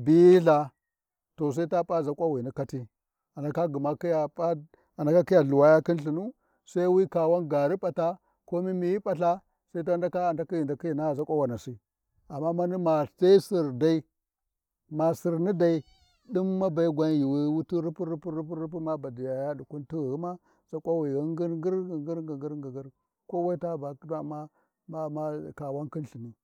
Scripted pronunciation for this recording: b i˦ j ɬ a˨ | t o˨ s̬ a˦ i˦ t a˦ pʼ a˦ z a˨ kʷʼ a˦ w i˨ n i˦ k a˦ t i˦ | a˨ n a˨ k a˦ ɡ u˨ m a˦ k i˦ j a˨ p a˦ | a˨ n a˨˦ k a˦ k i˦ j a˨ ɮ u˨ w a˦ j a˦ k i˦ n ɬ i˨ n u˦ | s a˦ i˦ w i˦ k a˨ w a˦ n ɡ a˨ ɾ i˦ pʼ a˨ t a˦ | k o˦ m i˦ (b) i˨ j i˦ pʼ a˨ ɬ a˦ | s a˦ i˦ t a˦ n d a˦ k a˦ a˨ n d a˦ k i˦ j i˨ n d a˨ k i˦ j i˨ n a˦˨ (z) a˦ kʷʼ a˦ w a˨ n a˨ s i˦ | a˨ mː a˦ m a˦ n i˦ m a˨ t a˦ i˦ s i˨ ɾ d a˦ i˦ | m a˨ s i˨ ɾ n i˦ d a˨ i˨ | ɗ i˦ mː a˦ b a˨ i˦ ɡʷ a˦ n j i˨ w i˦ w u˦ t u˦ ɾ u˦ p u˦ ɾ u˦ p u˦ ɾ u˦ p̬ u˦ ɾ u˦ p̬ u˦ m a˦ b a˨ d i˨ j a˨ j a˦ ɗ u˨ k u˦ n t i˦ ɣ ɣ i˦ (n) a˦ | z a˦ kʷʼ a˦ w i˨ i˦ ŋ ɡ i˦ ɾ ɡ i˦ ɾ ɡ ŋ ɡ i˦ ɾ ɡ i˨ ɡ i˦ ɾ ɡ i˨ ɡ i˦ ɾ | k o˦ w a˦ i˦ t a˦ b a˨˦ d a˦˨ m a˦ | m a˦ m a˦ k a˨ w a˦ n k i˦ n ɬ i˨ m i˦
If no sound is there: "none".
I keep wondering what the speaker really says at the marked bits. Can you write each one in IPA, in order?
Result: m, z, m

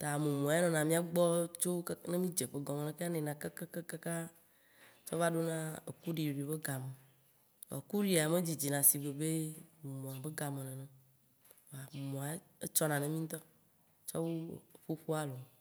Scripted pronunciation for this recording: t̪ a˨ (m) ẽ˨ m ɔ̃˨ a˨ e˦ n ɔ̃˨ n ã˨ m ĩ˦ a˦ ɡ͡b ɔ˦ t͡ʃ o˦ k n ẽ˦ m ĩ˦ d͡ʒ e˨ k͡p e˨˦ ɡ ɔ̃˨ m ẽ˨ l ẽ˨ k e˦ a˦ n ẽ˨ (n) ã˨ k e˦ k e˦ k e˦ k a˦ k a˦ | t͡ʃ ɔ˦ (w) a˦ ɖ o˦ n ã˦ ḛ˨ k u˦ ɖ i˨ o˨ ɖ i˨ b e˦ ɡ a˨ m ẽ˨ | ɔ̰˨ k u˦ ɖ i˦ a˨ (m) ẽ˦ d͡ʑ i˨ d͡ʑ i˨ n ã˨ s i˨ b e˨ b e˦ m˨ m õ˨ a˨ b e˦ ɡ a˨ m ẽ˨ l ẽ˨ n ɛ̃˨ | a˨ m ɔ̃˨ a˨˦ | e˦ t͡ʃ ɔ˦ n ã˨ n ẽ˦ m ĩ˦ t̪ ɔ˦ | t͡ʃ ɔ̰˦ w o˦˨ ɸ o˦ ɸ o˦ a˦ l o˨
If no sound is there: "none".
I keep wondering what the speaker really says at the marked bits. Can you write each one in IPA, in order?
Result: m, n, v, m

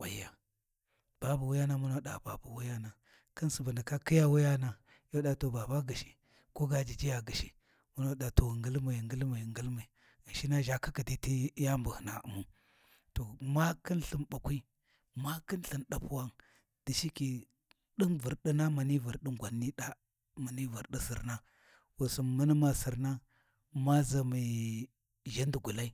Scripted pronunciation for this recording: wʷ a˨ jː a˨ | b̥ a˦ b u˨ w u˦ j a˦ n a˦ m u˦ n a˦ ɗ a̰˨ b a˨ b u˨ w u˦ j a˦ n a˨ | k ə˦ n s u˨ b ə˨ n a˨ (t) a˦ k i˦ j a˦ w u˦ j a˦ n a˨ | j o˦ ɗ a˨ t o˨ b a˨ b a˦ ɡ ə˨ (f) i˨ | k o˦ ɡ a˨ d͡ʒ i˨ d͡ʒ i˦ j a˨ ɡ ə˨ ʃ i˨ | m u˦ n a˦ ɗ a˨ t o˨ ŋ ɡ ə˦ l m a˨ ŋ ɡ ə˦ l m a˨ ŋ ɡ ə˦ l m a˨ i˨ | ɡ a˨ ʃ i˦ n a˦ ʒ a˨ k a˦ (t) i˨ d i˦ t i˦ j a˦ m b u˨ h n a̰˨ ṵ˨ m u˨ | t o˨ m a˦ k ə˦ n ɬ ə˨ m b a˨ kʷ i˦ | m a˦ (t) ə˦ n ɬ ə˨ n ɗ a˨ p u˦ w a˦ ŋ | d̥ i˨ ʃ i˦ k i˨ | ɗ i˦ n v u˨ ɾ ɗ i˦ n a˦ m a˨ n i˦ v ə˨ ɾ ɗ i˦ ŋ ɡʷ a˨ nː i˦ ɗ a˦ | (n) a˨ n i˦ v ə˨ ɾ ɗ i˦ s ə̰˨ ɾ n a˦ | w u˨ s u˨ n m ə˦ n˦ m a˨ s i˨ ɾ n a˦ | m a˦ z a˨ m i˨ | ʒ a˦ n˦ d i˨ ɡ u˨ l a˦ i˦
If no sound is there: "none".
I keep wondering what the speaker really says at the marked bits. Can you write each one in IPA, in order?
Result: k, ʃ, k, k, m

